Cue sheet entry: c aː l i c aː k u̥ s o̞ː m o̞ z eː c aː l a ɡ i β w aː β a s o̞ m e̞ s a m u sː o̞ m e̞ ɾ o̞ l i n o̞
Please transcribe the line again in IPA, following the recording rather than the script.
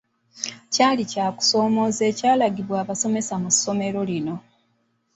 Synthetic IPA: c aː l i c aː k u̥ s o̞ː m o̞ z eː c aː l a ɡ i β w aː β a s o̞ m e̞ s a m u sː o̞ m e̞ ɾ o̞ l i n o̞